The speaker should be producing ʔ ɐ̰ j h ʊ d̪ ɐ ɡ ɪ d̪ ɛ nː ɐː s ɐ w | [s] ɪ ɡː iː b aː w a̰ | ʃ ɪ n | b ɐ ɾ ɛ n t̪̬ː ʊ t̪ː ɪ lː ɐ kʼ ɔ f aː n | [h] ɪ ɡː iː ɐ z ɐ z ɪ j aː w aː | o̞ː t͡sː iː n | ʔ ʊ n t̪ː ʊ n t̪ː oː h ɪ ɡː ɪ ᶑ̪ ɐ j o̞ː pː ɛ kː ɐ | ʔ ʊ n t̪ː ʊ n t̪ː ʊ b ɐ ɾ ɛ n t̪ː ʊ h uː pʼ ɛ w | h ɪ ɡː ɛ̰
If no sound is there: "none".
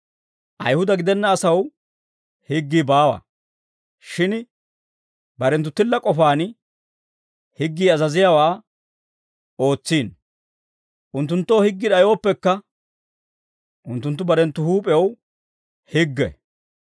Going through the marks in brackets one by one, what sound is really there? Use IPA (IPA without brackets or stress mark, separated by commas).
h, h